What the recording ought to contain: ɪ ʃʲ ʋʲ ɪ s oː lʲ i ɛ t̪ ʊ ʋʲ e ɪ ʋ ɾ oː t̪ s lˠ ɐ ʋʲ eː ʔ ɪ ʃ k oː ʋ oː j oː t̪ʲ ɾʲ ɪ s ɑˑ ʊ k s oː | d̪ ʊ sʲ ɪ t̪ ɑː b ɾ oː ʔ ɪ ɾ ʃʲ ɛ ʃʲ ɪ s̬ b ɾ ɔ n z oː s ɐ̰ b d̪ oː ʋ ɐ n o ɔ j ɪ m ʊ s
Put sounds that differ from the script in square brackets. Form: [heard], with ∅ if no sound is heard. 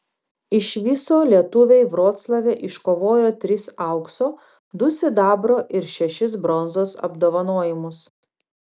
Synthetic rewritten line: ɪ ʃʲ ʋʲ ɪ s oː lʲ i ɛ t̪ ʊ ʋʲ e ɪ ʋ ɾ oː t̪ s lˠ ɐ ʋʲ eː ʔ ɪ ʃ k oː ʋ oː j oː t̪ʲ ɾʲ ɪ s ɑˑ ʊ k s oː | d̪ ʊ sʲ ɪ [d̪] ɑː b ɾ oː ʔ ɪ ɾ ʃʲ ɛ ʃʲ ɪ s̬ b ɾ ɔ n z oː s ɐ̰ b d̪ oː ʋ ɐ n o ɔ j ɪ m ʊ s